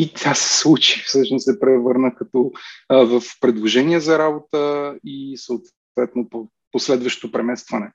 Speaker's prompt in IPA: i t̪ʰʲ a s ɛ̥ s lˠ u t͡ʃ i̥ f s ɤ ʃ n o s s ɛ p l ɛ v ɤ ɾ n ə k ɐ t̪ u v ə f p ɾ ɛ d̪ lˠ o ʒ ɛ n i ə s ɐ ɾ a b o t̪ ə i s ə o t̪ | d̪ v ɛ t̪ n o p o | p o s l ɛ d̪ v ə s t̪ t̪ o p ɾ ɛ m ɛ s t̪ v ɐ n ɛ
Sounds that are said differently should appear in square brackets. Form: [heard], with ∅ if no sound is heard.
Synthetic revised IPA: i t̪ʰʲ a s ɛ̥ s lˠ u t͡ʃ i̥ f s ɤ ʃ n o s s ɛ p [ɾ] ɛ v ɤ ɾ n ə k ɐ t̪ [ɔ] v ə f p ɾ ɛ d̪ lˠ o ʒ ɛ n i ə [z] ɐ ɾ a b o t̪ ə i s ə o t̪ | [t̪] v ɛ t̪ n o p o | p o s l ɛ d̪ v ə [ʃ] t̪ t̪ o p ɾ ɛ m ɛ s t̪ v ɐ n ɛ